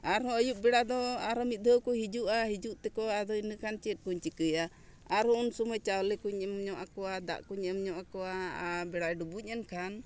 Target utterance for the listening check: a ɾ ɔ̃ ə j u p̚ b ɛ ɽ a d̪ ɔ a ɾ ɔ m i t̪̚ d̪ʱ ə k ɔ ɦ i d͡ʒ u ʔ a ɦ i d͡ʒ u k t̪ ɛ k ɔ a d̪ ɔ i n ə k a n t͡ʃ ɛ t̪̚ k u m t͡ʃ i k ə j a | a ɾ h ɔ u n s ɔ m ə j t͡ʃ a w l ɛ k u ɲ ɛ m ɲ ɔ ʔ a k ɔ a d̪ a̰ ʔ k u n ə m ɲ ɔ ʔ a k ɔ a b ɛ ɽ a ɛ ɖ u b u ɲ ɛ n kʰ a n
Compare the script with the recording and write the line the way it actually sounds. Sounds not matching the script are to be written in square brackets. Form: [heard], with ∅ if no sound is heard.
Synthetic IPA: a ɾ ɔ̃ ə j u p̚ b ɛ ɽ a d̪ ɔ a ɾ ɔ m i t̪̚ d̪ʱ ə k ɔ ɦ i d͡ʒ u ʔ a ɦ i d͡ʒ u [ʔ] t̪ ɛ k ɔ a d̪ ɔ i n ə k a n t͡ʃ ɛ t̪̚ k u [ɲ] t͡ʃ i k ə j a | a ɾ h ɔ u n s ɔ m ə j t͡ʃ a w l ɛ k u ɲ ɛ m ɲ ɔ ʔ a k ɔ a d̪ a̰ ʔ k u [ɲ] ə m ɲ ɔ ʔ a k ɔ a b ɛ ɽ a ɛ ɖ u b u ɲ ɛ n kʰ a n